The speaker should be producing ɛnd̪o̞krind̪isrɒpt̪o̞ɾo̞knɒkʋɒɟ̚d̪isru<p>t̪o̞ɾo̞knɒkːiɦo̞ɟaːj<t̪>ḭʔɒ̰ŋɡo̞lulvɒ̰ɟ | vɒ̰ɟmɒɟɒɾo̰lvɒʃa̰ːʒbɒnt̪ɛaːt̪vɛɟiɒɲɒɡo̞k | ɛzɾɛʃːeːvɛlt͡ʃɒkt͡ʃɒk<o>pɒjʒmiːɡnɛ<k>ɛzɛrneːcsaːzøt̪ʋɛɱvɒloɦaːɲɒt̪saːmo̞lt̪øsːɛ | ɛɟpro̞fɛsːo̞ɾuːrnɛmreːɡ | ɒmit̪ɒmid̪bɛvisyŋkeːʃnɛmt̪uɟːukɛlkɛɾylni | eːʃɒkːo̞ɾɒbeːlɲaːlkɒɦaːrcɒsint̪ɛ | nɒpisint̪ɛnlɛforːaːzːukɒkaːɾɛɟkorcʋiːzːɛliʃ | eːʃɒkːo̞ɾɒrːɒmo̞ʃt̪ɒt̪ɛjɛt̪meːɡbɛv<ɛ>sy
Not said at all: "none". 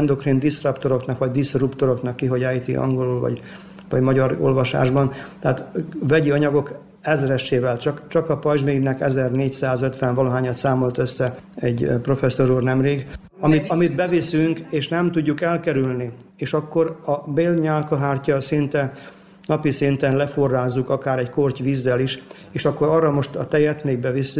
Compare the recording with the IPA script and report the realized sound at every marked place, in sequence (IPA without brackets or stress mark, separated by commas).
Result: p, t̪, ɒ, k, i